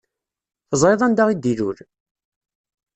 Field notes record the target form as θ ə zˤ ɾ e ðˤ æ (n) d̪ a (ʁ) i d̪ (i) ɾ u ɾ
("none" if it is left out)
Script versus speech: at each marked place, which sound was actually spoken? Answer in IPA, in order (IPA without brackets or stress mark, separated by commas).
n, ʁ, i